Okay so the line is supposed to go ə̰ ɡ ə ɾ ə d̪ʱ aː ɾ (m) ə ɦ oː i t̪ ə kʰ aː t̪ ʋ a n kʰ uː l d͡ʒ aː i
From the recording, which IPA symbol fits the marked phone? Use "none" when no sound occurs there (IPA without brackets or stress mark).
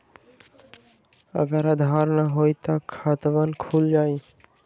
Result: n